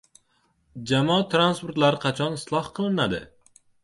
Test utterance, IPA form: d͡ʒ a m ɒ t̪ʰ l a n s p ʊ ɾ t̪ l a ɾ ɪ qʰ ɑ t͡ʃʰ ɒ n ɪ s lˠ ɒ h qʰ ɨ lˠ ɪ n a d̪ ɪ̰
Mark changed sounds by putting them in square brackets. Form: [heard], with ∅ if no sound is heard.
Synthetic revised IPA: d͡ʒ a m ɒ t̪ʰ [ɾ] a n s p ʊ ɾ t̪ l a ɾ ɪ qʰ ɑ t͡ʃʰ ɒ n ɪ s lˠ ɒ h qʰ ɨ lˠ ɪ n a d̪ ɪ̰

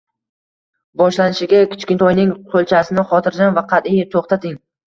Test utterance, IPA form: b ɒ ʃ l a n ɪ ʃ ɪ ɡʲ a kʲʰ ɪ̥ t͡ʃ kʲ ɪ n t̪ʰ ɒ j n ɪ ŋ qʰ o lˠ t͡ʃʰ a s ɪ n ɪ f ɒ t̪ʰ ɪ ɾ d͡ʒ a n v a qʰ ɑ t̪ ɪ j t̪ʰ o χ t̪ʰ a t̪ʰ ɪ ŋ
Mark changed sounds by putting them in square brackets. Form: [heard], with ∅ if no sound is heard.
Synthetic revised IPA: b ɒ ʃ l a n ɪ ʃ ɪ ɡʲ a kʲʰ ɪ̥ t͡ʃ kʲ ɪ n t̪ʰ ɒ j n ɪ ŋ qʰ o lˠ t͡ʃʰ a s ɪ n ɪ [χ] ɒ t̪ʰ ɪ ɾ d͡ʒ a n v a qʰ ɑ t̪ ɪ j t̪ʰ o χ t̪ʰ a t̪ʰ ɪ ŋ

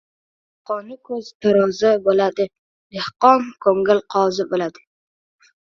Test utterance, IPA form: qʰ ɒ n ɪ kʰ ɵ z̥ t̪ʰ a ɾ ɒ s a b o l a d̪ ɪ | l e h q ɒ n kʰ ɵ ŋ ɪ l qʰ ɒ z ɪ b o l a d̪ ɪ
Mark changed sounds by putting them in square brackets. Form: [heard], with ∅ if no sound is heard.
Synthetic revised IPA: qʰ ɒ n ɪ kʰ ɵ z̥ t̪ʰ a ɾ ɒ [z] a b o l a d̪ ɪ | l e h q ɒ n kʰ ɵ ŋ ɪ l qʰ ɒ z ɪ b o l a d̪ ɪ

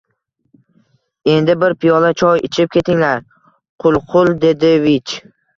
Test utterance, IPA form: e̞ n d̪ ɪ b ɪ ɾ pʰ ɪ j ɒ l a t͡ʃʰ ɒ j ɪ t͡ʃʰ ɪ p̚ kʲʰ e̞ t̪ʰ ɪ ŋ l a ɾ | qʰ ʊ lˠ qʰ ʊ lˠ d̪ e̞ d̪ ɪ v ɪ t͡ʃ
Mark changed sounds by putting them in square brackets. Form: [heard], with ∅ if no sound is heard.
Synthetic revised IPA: e̞ n d̪ ɪ b ɪ ɾ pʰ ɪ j ɒ l a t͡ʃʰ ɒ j ɪ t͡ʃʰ ɪ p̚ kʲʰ e̞ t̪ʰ ɪ ŋ l a ɾ | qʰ ʊ lˠ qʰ ʊ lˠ d̪ e̞ d̪ ɪ v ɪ t͡ʃ

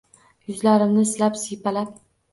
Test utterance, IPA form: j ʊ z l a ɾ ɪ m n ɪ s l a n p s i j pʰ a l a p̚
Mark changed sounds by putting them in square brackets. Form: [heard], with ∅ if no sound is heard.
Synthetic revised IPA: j ʊ z l a ɾ ɪ m n ɪ s l a [∅] p s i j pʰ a l a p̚

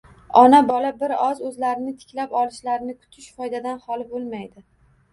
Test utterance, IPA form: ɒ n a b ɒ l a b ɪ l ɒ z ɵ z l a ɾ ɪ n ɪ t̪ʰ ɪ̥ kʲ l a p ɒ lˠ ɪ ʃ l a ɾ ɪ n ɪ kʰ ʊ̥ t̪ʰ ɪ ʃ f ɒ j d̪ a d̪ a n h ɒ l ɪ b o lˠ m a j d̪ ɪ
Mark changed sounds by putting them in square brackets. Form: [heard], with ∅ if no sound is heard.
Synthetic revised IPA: ɒ n a b ɒ l a b ɪ [ɾ] ɒ z ɵ z l a ɾ ɪ n ɪ t̪ʰ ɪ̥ kʲ l a p ɒ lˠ ɪ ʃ l a ɾ ɪ n ɪ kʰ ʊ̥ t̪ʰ ɪ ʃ f ɒ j d̪ a d̪ a n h ɒ l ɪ b o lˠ m a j d̪ ɪ

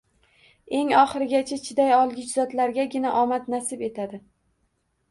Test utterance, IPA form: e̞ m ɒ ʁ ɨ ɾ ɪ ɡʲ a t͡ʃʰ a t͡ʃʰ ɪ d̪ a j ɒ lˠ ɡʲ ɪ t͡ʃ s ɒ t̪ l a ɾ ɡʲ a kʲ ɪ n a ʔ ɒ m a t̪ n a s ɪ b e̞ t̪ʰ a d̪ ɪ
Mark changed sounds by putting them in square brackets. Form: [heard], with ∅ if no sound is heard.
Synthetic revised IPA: e̞ [ŋ] ɒ [χ] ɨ ɾ ɪ ɡʲ a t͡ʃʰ a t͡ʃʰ ɪ d̪ a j ɒ lˠ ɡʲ ɪ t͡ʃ [z] ɒ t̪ l a ɾ ɡʲ a [ɡʲ] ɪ n a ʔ ɒ m a t̪ n a s ɪ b e̞ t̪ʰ a d̪ ɪ

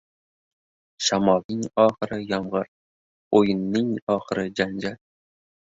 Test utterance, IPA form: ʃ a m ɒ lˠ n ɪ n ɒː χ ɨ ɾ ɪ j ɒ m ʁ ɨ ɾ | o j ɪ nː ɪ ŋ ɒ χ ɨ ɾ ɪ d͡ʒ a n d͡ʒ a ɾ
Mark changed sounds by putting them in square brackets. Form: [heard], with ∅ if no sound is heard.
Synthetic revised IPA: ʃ a m ɒ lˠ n ɪ [ŋ] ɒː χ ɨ ɾ ɪ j ɒ m ʁ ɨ ɾ | o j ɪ nː ɪ ŋ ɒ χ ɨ ɾ ɪ d͡ʒ a n d͡ʒ a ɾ

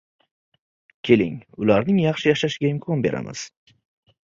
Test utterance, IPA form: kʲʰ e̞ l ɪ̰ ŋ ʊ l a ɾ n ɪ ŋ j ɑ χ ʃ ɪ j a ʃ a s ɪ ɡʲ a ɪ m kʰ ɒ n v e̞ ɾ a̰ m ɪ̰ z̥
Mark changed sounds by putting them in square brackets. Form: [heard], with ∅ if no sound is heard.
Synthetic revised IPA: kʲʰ e̞ l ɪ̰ ŋ ʊ l a ɾ n ɪ ŋ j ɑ χ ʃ ɪ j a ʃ a [ʃ] ɪ ɡʲ a ɪ m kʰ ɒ n [b] e̞ ɾ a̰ m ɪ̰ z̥

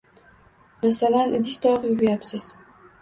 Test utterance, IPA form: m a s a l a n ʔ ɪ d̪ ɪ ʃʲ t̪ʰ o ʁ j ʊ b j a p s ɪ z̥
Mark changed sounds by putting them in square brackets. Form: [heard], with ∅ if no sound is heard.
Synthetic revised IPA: m a s a l a n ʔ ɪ d̪ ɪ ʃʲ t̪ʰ [ɒ] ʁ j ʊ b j a p s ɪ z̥

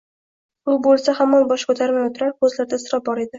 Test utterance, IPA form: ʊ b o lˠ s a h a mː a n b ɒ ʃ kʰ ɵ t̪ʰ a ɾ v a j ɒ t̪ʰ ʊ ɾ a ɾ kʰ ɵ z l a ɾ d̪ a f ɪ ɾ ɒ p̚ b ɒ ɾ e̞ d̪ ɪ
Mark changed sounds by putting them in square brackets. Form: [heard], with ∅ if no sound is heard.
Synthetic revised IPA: ʊ b o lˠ s a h a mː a n b ɒ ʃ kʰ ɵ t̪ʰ a ɾ v a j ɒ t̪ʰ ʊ ɾ a ɾ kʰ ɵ z l a ɾ d̪ a [s] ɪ ɾ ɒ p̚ b ɒ ɾ e̞ d̪ ɪ

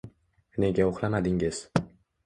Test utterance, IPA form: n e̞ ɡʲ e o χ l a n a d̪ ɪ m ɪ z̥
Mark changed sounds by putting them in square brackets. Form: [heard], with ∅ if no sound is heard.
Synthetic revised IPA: n e̞ ɡʲ [a] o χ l a [m] a d̪ ɪ [ŋ] ɪ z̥

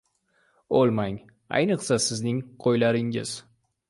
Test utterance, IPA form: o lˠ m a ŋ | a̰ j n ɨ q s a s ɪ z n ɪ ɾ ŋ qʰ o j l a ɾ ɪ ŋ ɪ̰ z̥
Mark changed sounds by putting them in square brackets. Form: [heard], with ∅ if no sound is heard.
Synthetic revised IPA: o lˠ m a ŋ | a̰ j n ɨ q s a s ɪ z n ɪ [∅] ŋ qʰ o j l a ɾ ɪ ŋ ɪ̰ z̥

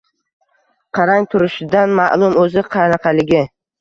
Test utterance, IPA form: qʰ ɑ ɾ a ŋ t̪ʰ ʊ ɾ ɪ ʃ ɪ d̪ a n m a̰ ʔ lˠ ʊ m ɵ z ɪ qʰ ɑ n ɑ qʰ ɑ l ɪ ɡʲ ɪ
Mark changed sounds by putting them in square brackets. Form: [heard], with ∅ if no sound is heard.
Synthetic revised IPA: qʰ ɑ ɾ a ŋ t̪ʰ ʊ ɾ ɪ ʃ ɪ d̪ a n m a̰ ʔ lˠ ʊ m ɵ z ɪ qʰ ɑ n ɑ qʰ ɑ l ɪ ɡʲ ɪ

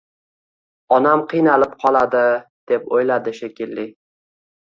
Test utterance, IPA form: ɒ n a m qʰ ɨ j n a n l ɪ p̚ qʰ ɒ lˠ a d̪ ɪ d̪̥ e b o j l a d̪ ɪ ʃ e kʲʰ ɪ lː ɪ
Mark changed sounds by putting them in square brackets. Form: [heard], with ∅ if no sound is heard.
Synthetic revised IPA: ɒ n a m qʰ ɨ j n a [∅] l ɪ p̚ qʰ ɒ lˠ a d̪ ɪ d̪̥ e [p] o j l a d̪ ɪ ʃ e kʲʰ ɪ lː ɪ

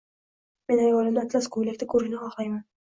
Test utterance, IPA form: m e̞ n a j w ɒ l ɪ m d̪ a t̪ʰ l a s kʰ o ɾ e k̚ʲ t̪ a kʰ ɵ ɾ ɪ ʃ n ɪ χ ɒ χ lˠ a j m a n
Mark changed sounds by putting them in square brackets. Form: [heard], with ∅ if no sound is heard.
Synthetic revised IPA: m e̞ n a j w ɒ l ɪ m d̪ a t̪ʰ l a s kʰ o [l] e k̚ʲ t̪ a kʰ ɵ ɾ ɪ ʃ n ɪ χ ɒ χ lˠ a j m a n

